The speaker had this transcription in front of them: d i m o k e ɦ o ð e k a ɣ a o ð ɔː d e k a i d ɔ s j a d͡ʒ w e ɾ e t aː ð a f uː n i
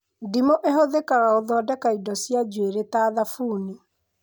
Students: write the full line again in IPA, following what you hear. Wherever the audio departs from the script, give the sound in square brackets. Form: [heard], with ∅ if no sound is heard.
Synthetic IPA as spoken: d i m o [ʔ] e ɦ o ð e k a ɣ a o ð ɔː d [ɛ] k a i d ɔ s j a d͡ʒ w e ɾ e t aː ð a f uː n i